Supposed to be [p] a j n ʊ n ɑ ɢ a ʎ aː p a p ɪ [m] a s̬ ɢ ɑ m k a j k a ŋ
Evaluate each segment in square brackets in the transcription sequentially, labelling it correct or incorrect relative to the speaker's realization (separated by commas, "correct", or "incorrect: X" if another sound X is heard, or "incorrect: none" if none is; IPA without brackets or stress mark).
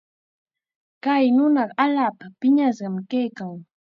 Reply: incorrect: k, incorrect: ɲ